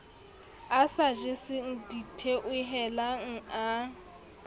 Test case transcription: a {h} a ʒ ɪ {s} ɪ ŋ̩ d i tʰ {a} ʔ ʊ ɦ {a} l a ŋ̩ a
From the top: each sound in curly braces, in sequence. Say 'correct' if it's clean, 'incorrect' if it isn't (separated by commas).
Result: incorrect, correct, incorrect, incorrect